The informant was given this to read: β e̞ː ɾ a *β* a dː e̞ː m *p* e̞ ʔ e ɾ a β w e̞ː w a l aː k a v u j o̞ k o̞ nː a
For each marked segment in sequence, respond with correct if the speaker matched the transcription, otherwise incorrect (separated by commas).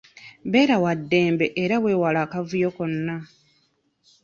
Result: incorrect, incorrect